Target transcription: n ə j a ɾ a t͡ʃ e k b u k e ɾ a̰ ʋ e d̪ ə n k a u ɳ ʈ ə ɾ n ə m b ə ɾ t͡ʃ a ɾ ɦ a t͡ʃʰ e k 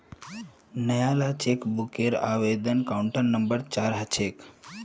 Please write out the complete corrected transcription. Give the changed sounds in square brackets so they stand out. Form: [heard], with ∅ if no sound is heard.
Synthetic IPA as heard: n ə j a [l] a t͡ʃ e k b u k e ɾ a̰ ʋ e d̪ ə n k a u ɳ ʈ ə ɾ n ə m b ə ɾ t͡ʃ a ɾ ɦ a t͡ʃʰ e k